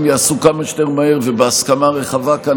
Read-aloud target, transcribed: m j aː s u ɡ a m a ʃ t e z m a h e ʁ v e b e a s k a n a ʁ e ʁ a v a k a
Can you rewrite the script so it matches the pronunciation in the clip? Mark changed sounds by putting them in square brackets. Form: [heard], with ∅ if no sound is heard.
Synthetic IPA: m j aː s u [k] a m a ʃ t e [ʁ] m a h e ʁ v e b e a s k a [m] a ʁ e [χ] a v a k a